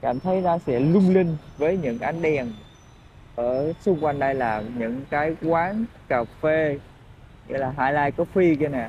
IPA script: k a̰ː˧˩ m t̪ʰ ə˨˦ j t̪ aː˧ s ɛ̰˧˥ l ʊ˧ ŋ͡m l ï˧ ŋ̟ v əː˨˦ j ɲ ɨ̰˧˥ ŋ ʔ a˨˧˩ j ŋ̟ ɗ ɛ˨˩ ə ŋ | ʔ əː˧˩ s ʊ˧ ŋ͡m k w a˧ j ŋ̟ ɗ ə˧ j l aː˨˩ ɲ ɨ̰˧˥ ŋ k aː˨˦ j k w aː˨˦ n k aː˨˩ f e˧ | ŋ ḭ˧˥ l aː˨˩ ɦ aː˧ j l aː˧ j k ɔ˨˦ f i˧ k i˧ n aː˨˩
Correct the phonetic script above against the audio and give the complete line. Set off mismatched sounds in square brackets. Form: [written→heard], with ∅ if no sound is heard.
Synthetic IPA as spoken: k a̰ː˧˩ m t̪ʰ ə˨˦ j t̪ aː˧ s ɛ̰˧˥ l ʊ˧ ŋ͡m l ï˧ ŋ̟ v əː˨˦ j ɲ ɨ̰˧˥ ŋ ʔ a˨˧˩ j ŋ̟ ɗ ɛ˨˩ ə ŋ | ʔ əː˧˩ s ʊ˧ ŋ͡m k w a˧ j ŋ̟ ɗ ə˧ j l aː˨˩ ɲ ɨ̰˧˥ ŋ k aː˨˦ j k w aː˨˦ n k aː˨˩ f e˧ | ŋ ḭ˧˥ l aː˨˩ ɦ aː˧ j l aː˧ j k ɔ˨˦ f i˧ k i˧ n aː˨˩